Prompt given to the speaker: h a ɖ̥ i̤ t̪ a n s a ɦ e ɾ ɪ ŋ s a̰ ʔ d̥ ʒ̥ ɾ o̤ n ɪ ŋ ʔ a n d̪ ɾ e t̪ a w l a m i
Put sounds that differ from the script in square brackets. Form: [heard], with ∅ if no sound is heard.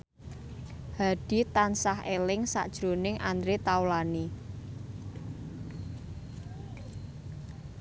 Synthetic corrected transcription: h a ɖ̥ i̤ t̪ a n s a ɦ e [l] ɪ ŋ s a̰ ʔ d̥ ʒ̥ ɾ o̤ n ɪ ŋ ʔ a n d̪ ɾ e t̪ a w l a [n] i